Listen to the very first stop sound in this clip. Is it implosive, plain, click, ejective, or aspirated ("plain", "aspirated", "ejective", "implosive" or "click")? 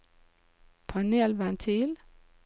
aspirated